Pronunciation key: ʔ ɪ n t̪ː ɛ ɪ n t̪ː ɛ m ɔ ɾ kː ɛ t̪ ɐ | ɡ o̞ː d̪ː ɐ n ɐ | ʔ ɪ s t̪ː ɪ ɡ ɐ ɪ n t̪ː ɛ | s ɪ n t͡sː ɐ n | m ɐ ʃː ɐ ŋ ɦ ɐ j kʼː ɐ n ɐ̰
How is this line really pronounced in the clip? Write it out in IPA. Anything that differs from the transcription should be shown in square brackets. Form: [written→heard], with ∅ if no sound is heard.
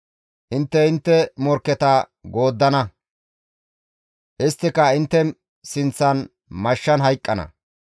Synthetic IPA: ʔ ɪ n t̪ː ɛ ɪ n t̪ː ɛ m ɔ ɾ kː ɛ t̪ ɐ | ɡ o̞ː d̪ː ɐ n ɐ | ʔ ɪ s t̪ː ɪ [ɡ→k] ɐ ɪ n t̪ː ɛ | s ɪ n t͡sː ɐ n | m ɐ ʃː ɐ [ŋ→n] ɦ ɐ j kʼː ɐ n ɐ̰